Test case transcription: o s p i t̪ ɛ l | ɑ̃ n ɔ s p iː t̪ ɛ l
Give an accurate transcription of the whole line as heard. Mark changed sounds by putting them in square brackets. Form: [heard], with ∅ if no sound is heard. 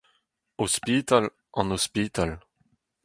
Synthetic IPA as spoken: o s p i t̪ [a] l | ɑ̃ n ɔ s p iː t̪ [a] l